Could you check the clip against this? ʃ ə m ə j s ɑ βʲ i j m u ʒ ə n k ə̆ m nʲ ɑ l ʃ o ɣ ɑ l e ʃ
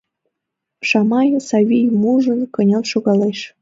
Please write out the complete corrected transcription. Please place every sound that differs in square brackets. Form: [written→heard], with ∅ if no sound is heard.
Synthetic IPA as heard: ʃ [ə→ɑ] m [ə→ɑ] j s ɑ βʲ i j m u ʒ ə n k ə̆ [m→∅] nʲ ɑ l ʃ o ɣ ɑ l e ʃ